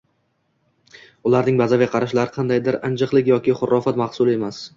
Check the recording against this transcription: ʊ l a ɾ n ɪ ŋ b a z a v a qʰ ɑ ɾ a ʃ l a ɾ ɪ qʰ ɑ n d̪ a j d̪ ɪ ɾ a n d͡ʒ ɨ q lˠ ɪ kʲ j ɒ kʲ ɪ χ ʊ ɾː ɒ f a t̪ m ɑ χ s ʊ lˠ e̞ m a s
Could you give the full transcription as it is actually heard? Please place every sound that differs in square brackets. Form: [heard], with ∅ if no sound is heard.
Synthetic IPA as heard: ʊ l a ɾ n ɪ ŋ b a z a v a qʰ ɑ ɾ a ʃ l a ɾ ɪ qʰ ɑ n d̪ a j d̪ ɪ ɾ a n d͡ʒ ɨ q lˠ ɪ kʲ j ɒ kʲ ɪ χ ʊ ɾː ɒ f a t̪ m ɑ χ s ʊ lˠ e̞ m a s